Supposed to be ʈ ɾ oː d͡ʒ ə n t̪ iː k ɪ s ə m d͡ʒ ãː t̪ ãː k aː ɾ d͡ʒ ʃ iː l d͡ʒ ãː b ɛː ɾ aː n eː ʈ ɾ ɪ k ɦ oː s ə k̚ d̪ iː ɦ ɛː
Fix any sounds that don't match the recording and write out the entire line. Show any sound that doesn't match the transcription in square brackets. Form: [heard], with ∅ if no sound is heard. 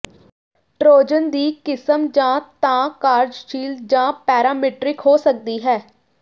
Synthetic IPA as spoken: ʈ ɾ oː d͡ʒ ə n [d̪] iː k ɪ s ə m d͡ʒ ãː t̪ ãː k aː ɾ d͡ʒ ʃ iː l d͡ʒ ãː [p] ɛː ɾ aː [m] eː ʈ ɾ ɪ k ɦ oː s ə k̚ d̪ iː ɦ ɛː